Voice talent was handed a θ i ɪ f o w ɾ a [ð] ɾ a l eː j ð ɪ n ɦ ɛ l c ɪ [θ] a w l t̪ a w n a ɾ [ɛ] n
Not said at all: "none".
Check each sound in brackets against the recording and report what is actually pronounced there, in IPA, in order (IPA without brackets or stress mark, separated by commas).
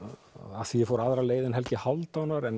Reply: ð, h, ɛ